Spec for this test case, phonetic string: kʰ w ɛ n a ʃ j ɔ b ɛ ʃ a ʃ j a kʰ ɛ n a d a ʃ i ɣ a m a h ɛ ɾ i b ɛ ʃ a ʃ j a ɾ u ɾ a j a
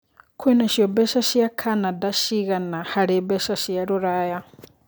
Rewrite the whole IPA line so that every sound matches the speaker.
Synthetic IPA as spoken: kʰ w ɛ n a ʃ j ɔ b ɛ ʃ a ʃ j a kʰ a n a d a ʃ i ɣ a n a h a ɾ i b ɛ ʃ a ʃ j a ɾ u ɾ a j a